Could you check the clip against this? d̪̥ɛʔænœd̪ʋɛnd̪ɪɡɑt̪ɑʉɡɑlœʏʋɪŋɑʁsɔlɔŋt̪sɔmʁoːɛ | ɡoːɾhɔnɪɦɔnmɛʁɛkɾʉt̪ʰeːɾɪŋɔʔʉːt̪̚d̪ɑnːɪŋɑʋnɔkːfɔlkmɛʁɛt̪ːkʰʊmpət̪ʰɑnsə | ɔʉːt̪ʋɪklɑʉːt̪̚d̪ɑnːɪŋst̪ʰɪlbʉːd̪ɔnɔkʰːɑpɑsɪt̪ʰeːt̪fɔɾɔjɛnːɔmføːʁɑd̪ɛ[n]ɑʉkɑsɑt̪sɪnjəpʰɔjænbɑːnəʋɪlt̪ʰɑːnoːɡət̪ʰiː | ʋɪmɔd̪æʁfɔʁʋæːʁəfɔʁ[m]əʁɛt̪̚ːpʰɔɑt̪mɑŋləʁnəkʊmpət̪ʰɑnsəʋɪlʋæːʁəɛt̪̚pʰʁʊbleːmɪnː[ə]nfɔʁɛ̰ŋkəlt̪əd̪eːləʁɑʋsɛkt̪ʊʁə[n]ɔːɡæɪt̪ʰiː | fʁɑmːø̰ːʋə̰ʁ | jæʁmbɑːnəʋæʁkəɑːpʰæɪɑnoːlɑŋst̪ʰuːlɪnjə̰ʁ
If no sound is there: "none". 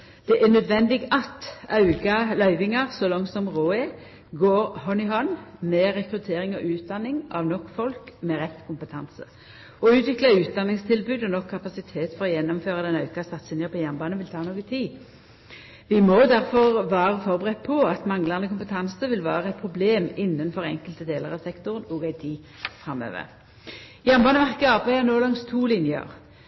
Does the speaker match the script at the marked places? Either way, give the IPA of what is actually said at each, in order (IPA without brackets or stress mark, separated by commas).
n, b, ə, n